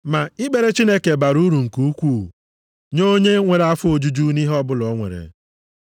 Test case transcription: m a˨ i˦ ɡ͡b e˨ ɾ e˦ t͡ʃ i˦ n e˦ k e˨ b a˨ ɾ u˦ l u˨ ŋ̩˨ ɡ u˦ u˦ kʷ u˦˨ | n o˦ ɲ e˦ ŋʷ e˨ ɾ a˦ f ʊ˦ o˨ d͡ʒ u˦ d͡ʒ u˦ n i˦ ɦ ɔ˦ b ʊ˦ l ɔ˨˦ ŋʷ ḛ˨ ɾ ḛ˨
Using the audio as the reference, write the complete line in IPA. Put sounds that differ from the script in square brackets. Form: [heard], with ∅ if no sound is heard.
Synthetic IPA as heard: m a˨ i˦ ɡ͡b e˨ ɾ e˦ t͡ʃ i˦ n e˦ k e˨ b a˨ ɾ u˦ [ɾ] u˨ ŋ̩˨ [k] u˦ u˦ kʷ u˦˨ | [ɲ] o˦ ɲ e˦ ŋʷ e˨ ɾ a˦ f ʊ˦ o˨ d͡ʒ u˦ d͡ʒ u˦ n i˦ ɦ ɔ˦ b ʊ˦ l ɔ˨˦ ŋʷ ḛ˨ ɾ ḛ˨